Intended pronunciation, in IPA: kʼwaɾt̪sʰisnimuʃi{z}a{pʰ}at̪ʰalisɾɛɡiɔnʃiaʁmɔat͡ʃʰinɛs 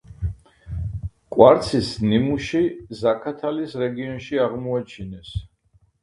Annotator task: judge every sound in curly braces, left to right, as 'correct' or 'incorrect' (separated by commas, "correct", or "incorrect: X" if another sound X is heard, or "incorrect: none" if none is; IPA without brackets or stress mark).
correct, incorrect: kʰ